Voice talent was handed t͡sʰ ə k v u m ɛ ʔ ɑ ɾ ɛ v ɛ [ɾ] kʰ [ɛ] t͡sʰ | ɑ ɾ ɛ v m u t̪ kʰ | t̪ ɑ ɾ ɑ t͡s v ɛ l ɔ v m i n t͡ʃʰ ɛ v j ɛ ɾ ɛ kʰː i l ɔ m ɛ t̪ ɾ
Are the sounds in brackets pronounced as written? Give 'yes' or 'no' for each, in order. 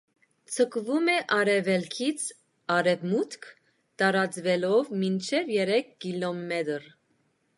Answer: no, no

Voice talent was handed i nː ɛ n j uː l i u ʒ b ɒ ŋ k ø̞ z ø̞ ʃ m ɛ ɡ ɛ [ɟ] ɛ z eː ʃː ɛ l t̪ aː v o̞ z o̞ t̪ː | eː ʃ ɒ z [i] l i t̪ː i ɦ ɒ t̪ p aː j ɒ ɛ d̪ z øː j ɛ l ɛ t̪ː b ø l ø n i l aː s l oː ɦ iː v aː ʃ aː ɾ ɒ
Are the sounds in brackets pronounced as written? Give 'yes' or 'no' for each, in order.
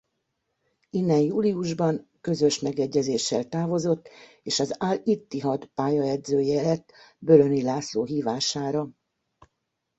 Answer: no, no

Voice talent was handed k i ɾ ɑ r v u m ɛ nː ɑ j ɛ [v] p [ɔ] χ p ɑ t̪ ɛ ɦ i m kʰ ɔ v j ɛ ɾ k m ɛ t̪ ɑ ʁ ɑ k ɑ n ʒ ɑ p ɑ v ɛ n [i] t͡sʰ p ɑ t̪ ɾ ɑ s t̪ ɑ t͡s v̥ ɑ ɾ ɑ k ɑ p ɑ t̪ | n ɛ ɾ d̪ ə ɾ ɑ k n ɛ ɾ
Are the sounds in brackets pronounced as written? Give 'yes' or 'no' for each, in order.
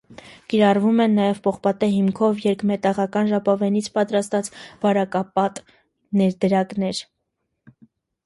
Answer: yes, yes, yes

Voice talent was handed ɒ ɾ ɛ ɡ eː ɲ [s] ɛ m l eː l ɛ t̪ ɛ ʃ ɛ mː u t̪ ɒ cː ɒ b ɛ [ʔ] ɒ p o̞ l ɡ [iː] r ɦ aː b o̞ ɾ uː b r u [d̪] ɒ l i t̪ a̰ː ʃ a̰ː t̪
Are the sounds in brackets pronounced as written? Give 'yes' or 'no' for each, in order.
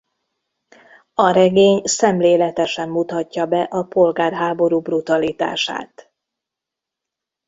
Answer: yes, yes, no, no

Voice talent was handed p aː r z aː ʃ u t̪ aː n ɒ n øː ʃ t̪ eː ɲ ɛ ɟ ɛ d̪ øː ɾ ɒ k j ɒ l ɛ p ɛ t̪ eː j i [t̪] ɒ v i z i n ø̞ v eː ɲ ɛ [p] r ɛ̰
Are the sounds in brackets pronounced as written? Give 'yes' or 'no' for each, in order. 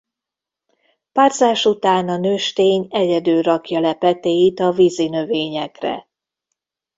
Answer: yes, no

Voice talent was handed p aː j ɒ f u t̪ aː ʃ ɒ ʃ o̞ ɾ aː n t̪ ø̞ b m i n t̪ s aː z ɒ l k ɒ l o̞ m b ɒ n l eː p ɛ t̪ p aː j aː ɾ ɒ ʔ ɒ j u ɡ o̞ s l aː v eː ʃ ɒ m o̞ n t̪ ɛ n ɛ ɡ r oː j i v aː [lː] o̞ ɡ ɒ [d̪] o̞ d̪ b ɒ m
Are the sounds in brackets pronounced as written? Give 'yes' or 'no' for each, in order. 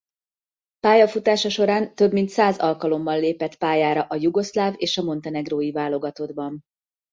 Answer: no, no

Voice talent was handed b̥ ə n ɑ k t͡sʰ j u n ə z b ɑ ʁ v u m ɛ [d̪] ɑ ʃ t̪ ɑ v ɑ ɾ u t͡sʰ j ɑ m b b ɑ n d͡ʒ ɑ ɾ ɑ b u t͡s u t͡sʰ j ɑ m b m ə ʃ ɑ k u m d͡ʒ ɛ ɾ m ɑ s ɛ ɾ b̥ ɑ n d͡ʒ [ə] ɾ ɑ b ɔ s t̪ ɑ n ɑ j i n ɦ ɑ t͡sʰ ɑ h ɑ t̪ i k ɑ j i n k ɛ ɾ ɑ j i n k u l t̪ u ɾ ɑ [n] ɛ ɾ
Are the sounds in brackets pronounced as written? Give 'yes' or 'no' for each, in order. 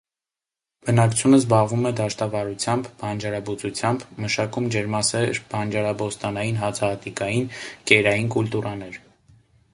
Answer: yes, no, yes

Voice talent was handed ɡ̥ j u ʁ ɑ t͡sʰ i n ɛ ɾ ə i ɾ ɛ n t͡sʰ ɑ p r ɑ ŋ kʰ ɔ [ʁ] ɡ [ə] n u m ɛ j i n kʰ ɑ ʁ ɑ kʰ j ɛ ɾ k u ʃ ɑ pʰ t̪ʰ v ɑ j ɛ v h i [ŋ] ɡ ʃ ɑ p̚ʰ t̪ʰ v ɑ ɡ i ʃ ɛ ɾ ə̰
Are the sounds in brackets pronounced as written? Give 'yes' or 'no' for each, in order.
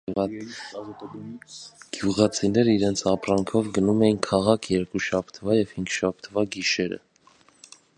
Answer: no, yes, yes

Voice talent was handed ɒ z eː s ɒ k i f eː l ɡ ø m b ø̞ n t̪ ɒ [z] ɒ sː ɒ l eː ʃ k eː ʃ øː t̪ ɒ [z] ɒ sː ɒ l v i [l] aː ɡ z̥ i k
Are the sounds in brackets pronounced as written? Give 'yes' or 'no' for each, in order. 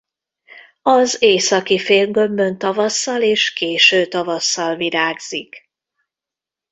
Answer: no, no, no

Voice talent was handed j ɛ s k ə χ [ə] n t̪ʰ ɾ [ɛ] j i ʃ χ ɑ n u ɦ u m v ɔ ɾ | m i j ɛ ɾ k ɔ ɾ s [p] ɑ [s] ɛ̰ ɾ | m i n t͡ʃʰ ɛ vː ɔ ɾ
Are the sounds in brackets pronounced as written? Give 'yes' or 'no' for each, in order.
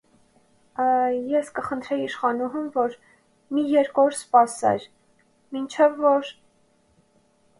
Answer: yes, yes, yes, yes

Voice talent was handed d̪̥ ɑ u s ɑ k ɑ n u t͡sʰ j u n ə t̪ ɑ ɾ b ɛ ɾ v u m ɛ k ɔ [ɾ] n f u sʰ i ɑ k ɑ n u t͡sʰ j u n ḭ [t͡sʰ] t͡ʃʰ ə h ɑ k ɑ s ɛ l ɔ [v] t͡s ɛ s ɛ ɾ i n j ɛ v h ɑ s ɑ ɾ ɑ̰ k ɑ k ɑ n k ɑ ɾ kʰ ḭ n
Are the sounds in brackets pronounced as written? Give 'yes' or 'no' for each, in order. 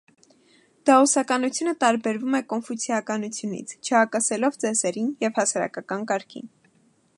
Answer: no, yes, yes

